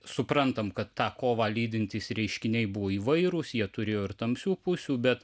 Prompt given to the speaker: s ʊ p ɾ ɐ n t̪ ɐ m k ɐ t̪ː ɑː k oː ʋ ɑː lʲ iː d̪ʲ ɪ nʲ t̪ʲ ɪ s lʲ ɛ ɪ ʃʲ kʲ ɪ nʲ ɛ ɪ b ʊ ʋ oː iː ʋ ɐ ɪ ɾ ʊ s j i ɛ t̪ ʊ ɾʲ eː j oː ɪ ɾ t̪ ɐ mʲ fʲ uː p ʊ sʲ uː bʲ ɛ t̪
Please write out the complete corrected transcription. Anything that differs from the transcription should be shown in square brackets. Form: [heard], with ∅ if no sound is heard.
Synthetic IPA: s ʊ p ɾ ɐ n t̪ ɐ m k ɐ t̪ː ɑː k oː ʋ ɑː lʲ iː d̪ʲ ɪ nʲ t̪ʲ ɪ s [ɾʲ] ɛ ɪ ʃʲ kʲ ɪ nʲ ɛ ɪ b ʊ ʋ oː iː ʋ ɐ ɪ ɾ ʊ s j i ɛ t̪ ʊ ɾʲ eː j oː ɪ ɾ t̪ ɐ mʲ [sʲ] uː p ʊ sʲ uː bʲ ɛ t̪

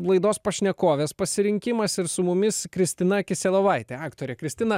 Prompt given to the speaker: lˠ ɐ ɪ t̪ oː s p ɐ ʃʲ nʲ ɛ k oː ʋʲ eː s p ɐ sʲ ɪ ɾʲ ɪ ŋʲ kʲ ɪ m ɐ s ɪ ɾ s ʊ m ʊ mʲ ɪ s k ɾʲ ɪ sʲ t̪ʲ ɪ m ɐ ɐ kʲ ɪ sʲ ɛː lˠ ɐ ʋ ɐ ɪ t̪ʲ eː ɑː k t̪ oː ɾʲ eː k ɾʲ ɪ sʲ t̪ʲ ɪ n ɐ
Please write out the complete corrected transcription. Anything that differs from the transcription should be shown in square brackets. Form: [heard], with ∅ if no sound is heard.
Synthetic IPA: lˠ ɐ ɪ [d̪] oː s p ɐ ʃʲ nʲ ɛ k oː ʋʲ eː s p ɐ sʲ ɪ ɾʲ ɪ ŋʲ kʲ ɪ m ɐ s ɪ ɾ s ʊ m ʊ mʲ ɪ s k ɾʲ ɪ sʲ t̪ʲ ɪ [n] ɐ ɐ kʲ ɪ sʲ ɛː lˠ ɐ ʋ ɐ ɪ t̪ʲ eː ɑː k t̪ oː ɾʲ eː k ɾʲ ɪ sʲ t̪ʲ ɪ n ɐ

